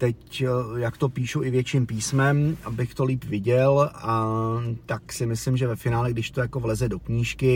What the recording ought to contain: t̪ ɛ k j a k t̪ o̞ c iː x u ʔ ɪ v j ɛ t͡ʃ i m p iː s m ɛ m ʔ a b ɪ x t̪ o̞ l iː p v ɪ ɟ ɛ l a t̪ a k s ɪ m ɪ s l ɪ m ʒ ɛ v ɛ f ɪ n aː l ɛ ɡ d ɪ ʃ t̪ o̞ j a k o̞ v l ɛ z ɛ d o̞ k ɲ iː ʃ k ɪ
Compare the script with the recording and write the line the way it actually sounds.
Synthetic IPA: t̪ ɛ c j a k t̪ o̞ p iː ʃ u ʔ ɪ v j ɛ t͡ʃ i m p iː s m ɛ m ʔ a b ɪ x t̪ o̞ l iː p v ɪ ɟ ɛ l a t̪ a k s ɪ m ɪ s l ɪ m ʒ ɛ v ɛ f ɪ n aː l ɛ ɡ d ɪ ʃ t̪ o̞ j a k o̞ v l ɛ z ɛ d o̞ k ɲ iː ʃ k ɪ